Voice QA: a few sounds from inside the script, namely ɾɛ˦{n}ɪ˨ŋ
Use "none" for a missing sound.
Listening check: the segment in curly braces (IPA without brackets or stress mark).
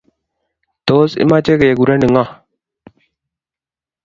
n